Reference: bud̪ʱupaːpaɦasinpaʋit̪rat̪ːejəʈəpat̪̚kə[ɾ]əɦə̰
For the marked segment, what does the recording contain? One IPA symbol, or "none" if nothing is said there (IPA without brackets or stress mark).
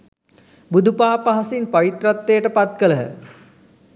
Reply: l